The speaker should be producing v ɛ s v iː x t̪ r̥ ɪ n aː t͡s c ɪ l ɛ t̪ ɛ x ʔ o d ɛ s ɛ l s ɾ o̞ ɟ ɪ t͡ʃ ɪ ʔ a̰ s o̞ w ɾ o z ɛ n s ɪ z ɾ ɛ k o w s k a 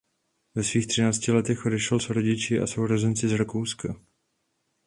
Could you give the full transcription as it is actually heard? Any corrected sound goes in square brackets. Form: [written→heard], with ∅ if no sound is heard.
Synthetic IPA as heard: v ɛ s v iː x t̪ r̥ ɪ n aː t͡s c ɪ l ɛ t̪ ɛ x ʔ o d ɛ [s→ʃ] ɛ l s ɾ o̞ ɟ ɪ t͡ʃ ɪ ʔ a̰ s o̞ w ɾ o z ɛ n [s→t͡s] ɪ z ɾ [ɛ→a] k o w s k a